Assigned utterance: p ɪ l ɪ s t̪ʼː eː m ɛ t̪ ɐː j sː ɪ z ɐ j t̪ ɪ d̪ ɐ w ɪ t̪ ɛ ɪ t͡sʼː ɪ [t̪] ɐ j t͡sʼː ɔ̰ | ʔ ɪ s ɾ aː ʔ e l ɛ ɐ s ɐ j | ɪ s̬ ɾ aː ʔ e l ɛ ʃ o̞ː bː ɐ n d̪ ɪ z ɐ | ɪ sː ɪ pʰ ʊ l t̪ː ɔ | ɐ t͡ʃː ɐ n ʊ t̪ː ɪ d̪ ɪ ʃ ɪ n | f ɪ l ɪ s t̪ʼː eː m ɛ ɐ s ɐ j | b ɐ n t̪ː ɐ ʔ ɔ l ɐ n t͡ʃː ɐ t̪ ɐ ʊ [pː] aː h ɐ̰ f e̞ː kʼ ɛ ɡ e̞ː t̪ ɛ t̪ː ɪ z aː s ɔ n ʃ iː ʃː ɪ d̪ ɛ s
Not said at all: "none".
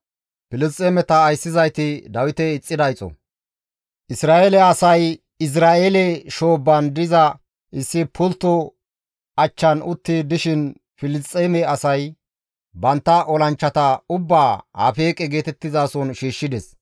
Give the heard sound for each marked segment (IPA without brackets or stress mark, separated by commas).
d̪, bː